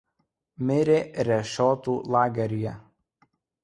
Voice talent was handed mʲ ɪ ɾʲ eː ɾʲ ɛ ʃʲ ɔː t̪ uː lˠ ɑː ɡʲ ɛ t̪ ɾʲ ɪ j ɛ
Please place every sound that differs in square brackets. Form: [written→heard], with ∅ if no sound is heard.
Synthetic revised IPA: mʲ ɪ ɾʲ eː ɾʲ ɛ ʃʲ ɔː t̪ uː lˠ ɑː ɡʲ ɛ [t̪→∅] ɾʲ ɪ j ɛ